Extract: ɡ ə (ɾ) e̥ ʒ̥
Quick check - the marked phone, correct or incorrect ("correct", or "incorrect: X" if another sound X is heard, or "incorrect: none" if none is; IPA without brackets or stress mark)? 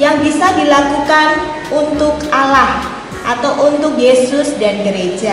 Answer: correct